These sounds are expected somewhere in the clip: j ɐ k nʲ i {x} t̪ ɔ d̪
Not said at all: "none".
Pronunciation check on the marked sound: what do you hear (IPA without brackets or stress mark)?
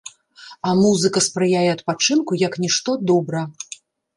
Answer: ʂ